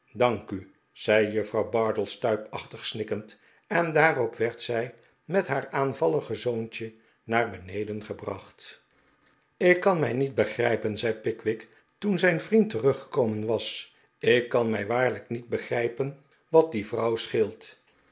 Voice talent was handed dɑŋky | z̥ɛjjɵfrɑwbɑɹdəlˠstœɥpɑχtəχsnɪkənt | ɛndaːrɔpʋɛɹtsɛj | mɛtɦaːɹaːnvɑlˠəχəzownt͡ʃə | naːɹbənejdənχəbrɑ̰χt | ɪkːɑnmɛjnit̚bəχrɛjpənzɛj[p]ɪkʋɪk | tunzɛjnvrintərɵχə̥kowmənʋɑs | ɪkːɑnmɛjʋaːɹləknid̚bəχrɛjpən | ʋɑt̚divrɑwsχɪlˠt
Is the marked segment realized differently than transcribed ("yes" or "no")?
no